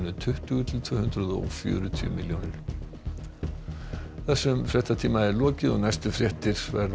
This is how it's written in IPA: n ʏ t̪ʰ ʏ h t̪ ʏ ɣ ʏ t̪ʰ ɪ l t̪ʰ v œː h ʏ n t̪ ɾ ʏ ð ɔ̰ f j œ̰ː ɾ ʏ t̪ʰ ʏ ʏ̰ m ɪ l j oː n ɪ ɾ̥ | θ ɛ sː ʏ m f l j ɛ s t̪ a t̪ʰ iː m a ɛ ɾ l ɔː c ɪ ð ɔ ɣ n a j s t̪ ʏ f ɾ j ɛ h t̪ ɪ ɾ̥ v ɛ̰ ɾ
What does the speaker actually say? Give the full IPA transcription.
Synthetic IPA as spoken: n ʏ t̪ʰ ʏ h t̪ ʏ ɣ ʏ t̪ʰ ɪ l t̪ʰ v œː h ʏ n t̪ ɾ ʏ ð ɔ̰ f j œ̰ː ɾ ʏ t̪ʰ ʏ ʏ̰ m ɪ l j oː n ɪ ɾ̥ | θ ɛ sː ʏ m f ɾ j ɛ h t̪ a t̪ʰ iː m a ɛ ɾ l ɔː c ɪ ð ɔ ɣ n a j s t̪ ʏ f ɾ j ɛ h t̪ ɪ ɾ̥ v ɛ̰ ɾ